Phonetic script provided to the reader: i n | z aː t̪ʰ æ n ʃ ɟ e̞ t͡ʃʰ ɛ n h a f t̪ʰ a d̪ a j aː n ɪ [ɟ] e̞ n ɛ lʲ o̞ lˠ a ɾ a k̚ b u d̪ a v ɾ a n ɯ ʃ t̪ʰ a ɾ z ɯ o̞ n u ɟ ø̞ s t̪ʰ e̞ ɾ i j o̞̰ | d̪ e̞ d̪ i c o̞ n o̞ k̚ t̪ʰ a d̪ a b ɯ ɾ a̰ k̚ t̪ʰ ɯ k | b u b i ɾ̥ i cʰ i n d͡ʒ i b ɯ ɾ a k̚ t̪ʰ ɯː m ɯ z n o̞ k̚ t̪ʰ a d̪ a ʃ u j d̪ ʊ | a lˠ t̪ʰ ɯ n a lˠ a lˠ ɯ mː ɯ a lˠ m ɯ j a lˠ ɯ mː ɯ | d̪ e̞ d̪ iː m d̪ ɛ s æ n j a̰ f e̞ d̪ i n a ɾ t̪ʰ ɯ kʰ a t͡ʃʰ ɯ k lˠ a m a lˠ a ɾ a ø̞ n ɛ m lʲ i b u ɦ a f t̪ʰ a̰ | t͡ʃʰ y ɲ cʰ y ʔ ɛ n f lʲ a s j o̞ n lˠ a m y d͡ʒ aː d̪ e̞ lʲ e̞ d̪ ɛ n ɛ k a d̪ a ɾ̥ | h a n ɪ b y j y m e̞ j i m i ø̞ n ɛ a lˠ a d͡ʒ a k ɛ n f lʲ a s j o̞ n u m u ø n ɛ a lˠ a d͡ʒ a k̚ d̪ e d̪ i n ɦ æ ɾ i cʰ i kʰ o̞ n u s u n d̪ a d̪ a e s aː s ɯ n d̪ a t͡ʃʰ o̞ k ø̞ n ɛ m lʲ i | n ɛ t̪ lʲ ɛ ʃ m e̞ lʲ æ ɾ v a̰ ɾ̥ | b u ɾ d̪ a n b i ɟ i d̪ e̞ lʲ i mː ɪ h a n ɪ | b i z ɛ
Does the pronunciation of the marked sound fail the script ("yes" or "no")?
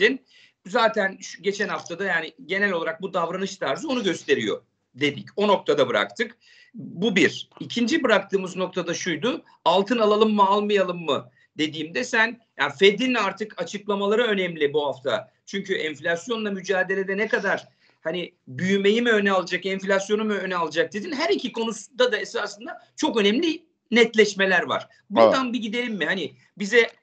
no